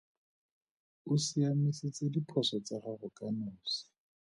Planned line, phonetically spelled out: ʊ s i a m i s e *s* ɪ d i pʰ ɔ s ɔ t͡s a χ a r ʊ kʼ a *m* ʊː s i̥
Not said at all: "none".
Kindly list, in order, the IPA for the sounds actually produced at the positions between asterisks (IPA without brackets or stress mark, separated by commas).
t͡s, n